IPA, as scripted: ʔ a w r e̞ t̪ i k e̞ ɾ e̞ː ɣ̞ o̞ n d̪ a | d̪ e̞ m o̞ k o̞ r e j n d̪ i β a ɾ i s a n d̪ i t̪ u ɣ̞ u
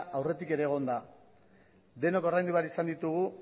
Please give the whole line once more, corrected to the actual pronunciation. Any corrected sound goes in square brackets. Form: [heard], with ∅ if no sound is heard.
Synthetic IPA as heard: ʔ a w r e̞ t̪ i k e̞ ɾ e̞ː ɣ̞ o̞ n d̪ a | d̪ e̞ [n] o̞ k o̞ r [a] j n d̪ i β a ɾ i s a n d̪ i t̪ u ɣ̞ u